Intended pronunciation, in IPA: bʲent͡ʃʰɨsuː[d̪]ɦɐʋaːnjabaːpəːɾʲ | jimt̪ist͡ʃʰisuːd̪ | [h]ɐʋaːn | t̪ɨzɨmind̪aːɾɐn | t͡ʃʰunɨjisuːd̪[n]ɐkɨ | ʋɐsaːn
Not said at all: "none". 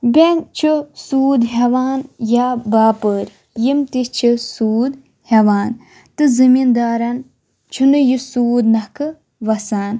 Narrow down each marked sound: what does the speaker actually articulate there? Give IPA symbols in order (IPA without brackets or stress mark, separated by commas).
d̪, h, n